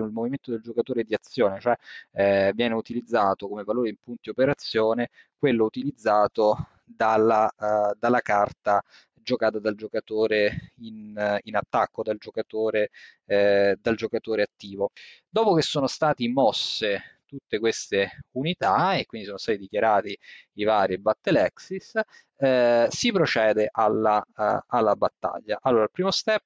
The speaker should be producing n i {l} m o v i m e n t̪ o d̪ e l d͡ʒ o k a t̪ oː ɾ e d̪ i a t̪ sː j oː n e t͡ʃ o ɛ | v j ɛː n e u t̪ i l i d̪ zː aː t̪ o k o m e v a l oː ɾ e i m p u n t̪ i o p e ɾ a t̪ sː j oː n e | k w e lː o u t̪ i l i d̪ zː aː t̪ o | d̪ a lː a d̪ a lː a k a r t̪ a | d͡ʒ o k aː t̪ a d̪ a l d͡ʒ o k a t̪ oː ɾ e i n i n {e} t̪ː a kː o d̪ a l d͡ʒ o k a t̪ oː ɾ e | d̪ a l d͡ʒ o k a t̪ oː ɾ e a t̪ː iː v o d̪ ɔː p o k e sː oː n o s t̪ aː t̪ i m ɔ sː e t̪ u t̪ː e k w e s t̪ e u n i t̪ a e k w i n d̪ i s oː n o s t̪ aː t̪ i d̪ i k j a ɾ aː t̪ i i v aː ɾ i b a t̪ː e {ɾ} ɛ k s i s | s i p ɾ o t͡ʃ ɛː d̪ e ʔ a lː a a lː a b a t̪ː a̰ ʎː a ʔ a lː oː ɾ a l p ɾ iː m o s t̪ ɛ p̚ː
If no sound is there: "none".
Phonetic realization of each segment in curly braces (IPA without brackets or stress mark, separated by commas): l, a, l